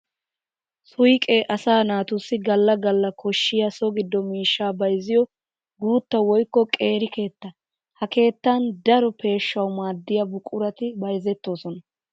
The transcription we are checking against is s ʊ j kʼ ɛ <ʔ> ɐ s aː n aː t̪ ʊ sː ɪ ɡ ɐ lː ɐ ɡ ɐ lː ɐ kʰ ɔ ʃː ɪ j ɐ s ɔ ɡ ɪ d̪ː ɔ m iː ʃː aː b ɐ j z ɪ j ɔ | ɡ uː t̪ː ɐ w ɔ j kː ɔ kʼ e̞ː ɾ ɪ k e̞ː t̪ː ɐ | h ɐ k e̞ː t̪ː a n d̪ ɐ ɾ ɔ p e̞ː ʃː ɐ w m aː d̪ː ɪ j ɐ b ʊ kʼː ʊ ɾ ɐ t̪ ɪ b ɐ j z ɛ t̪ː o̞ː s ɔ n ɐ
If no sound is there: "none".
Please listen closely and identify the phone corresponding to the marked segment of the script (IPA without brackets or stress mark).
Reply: ʔ